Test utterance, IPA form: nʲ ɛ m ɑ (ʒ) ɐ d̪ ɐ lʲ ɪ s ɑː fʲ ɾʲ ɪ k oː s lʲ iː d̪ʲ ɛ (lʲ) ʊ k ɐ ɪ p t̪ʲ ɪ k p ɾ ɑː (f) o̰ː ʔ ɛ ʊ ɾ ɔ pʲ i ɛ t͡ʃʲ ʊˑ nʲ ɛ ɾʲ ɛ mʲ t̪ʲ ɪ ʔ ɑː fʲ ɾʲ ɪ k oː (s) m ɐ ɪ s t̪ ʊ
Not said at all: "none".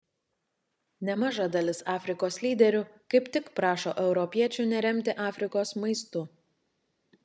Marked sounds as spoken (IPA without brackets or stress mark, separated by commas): ʒ, ɾʲ, ʃ, s